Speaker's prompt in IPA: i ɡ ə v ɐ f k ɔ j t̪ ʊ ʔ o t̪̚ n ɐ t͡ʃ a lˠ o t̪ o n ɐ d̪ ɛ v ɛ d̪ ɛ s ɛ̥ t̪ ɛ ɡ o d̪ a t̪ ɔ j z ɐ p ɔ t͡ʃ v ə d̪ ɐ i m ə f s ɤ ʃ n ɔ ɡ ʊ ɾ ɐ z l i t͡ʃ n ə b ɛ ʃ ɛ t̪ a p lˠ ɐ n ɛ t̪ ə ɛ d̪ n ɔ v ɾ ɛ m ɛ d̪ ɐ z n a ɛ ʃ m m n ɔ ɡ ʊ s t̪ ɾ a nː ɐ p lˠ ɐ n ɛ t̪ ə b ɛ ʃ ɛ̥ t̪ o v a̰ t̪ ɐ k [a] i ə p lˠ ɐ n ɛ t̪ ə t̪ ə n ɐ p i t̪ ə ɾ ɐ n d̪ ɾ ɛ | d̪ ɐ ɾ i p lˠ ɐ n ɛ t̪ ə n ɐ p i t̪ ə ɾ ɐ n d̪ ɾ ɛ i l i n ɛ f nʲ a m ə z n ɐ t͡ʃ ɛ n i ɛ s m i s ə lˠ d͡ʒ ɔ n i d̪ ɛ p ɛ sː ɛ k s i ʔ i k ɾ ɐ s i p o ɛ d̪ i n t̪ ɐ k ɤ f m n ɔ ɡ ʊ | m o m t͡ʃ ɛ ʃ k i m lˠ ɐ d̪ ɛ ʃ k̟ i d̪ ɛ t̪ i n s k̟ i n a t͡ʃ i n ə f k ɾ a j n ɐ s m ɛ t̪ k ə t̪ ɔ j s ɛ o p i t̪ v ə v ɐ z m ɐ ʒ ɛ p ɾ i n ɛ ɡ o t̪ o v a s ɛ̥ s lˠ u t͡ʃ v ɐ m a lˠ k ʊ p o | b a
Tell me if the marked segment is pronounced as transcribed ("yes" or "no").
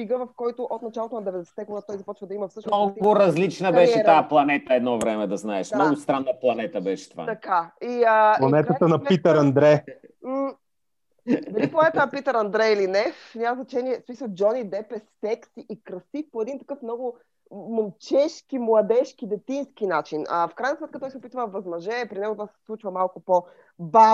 yes